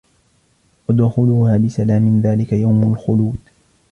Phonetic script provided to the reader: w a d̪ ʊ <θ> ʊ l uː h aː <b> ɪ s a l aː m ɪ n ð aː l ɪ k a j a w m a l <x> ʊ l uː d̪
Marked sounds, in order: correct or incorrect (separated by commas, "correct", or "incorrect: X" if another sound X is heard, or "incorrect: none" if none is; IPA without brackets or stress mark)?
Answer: incorrect: x, correct, correct